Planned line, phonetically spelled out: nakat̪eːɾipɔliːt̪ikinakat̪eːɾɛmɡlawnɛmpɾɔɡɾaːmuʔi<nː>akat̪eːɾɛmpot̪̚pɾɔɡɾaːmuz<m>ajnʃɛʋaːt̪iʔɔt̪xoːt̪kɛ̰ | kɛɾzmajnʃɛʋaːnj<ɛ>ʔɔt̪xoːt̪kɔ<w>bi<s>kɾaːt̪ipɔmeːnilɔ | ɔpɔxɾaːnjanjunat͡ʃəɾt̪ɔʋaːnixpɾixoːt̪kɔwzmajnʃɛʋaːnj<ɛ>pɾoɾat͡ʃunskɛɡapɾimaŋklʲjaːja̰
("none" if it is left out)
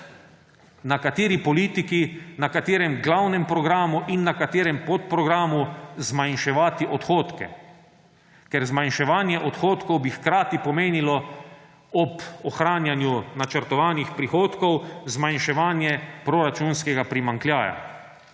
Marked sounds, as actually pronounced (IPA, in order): nː, m, ɛ, w, x, ɛ

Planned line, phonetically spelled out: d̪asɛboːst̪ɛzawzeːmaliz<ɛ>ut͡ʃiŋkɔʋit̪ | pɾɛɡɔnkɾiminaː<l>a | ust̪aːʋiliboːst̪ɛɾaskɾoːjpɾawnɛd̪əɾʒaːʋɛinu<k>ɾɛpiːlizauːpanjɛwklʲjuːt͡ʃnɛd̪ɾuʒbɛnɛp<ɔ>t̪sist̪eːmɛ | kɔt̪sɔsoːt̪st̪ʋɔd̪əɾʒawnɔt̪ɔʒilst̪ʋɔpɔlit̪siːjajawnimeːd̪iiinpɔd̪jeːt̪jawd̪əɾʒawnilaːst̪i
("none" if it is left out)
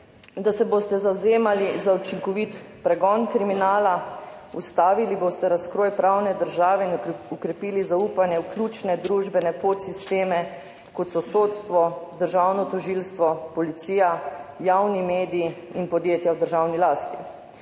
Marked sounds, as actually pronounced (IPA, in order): a, l, k, o

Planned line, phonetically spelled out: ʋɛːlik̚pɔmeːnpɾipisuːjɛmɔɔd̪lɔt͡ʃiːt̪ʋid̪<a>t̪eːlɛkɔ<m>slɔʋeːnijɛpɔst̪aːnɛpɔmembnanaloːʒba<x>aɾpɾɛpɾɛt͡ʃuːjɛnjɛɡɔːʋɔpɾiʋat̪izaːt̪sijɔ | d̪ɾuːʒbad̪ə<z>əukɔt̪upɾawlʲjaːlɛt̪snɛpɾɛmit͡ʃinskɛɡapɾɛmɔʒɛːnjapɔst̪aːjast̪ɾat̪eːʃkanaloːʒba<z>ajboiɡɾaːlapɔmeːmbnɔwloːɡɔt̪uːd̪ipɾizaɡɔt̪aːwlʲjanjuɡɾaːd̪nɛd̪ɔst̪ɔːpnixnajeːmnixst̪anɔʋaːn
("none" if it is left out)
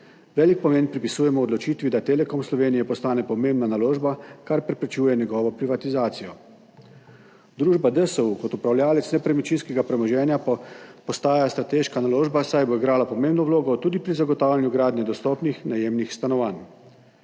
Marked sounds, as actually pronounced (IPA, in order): a, m, k, s, s

